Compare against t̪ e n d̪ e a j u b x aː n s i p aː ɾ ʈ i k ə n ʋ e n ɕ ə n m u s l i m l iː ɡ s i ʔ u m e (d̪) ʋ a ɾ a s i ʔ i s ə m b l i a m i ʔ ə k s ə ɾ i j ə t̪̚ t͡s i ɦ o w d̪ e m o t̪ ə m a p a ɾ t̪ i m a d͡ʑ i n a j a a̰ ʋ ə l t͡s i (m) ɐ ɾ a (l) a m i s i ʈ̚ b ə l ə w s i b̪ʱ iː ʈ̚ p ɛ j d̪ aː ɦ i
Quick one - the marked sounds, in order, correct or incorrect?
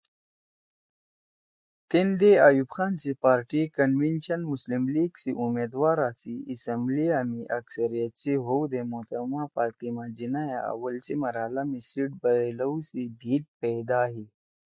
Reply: correct, correct, correct

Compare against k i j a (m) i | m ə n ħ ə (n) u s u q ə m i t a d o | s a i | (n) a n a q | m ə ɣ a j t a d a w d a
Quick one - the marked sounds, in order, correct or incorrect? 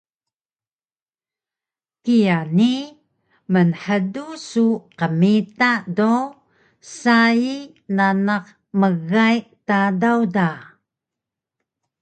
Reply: incorrect: n, incorrect: d, correct

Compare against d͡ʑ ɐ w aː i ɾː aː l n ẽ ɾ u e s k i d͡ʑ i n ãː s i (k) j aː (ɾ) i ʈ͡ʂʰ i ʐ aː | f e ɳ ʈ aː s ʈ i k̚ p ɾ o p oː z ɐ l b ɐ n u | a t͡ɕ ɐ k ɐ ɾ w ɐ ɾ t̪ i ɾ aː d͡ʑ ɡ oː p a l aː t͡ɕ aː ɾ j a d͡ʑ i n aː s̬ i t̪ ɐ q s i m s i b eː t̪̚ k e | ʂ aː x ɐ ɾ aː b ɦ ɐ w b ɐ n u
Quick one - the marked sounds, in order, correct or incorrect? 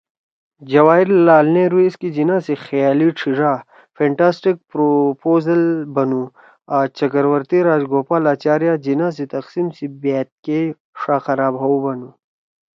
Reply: incorrect: x, incorrect: l

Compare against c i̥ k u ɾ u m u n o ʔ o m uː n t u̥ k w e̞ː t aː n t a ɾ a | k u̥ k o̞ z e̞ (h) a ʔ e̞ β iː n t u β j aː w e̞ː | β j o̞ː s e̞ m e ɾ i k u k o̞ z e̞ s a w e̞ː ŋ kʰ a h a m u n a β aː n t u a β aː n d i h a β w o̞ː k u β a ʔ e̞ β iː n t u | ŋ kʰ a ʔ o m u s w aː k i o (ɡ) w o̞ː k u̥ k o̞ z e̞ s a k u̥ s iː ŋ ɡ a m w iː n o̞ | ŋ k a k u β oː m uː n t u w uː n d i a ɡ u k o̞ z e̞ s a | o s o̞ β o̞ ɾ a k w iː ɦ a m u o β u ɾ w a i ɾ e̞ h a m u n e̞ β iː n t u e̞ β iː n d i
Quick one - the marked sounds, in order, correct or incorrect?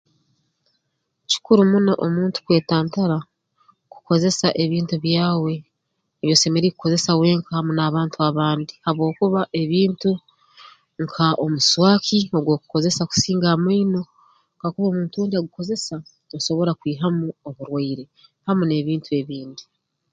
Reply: incorrect: s, correct

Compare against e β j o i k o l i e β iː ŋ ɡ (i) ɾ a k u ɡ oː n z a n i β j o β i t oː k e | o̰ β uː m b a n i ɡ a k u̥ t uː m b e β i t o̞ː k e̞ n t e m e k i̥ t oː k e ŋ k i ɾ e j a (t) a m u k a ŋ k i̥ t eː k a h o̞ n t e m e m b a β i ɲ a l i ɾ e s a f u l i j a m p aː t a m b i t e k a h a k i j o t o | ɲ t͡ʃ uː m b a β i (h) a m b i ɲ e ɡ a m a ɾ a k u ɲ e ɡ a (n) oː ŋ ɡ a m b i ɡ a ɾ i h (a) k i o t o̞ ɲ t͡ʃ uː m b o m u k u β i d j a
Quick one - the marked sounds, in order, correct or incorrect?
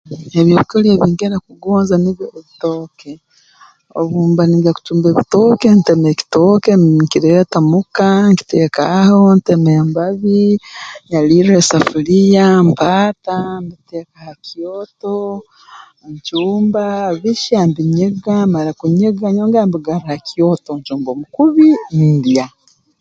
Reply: incorrect: e, correct, incorrect: ʃ, incorrect: ɲ, correct

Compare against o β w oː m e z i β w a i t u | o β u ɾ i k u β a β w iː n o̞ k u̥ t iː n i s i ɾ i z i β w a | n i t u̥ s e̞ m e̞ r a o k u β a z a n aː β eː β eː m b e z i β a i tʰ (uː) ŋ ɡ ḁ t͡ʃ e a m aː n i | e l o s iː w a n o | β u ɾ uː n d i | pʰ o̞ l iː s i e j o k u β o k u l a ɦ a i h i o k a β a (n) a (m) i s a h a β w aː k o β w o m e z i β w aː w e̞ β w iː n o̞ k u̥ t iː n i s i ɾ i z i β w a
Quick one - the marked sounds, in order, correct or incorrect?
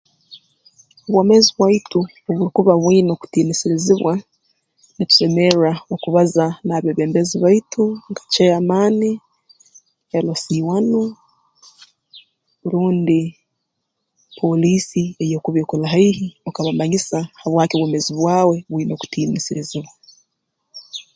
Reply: incorrect: u, incorrect: m, incorrect: ɲ

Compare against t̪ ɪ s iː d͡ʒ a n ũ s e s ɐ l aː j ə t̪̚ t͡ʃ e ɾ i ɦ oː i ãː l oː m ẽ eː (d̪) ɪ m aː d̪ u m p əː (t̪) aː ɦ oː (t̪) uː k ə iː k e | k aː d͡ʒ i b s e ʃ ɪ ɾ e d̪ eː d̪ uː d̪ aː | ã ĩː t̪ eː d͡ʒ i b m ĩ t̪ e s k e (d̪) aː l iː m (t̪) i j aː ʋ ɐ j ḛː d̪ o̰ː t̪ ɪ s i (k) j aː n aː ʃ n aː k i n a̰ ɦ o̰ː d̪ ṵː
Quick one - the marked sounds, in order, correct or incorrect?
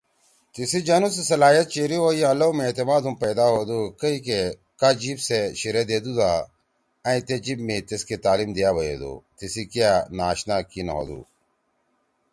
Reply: incorrect: t̪, incorrect: d̪, incorrect: d̪, incorrect: t̪, incorrect: d̪, correct

